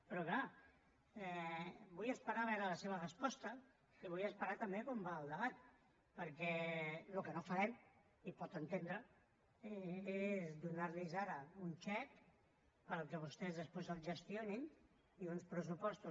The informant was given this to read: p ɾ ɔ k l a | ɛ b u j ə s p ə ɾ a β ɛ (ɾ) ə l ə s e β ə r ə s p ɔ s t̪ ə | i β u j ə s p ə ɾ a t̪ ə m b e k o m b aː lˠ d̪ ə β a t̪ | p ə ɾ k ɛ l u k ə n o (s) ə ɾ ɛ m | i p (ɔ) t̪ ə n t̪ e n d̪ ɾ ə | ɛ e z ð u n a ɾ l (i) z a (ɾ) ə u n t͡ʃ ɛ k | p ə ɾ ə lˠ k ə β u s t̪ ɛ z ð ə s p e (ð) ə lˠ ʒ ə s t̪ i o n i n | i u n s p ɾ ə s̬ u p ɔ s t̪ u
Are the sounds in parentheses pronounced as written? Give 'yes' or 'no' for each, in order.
yes, no, yes, yes, yes, no

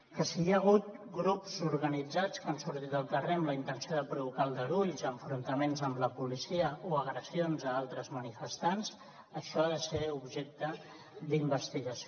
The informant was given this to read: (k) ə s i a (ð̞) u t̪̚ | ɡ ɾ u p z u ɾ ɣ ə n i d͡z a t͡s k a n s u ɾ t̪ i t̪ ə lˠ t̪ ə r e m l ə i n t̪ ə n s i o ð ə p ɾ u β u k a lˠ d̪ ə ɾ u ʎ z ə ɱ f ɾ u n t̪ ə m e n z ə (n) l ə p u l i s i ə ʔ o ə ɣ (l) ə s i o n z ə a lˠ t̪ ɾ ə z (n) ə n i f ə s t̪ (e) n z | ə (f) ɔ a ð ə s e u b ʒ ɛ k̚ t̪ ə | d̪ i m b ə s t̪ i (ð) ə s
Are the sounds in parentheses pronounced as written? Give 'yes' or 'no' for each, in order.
yes, no, no, no, no, no, no, no

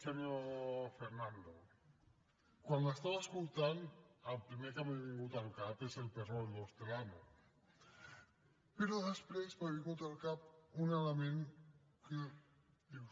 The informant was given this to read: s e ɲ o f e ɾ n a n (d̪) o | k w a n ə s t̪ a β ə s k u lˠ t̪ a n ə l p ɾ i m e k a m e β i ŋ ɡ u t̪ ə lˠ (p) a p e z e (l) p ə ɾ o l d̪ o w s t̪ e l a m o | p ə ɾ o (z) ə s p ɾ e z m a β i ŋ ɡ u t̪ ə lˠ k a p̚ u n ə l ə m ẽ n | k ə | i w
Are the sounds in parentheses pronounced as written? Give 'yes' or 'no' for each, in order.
yes, no, yes, no

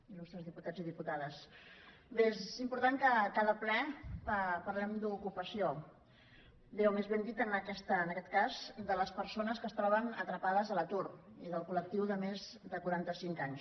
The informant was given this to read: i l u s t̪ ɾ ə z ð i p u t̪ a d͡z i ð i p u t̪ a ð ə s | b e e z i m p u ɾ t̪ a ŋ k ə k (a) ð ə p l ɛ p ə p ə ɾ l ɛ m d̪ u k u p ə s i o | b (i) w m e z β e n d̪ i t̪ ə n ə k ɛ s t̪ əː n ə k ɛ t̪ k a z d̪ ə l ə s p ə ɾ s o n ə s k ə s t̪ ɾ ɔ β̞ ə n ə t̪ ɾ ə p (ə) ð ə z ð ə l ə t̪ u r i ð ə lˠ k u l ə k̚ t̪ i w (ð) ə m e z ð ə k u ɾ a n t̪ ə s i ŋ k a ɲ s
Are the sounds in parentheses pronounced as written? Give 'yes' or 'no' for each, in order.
yes, no, no, yes

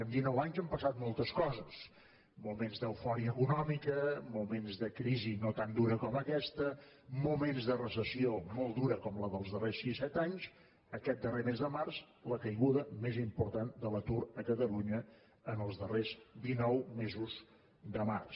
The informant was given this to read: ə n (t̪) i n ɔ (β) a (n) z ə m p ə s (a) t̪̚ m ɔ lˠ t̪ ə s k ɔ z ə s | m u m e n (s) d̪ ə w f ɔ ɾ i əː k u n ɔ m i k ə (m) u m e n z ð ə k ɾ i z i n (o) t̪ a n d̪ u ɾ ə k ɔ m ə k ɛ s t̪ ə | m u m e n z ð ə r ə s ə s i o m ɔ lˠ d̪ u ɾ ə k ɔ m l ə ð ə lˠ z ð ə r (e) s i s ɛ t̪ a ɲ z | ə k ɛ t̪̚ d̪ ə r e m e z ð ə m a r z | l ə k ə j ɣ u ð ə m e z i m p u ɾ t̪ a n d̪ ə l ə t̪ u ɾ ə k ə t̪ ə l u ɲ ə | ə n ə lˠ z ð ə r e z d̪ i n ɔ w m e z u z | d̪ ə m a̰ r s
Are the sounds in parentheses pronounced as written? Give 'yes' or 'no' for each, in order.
no, no, no, yes, no, yes, yes, yes

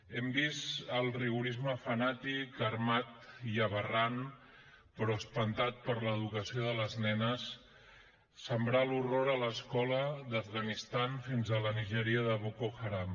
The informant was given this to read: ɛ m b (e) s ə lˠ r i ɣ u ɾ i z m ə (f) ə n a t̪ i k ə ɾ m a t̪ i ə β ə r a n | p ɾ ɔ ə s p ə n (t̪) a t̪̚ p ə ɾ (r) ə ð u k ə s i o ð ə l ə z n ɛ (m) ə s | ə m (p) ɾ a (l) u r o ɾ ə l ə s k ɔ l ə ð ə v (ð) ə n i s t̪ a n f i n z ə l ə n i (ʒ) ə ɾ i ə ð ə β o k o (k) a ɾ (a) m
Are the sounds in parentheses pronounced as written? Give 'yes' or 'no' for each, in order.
no, yes, yes, no, no, no, yes, no, yes, no, yes

